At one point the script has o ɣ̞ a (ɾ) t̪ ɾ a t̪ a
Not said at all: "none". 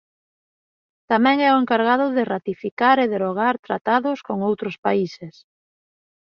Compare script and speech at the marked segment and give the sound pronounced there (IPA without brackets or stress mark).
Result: ɾ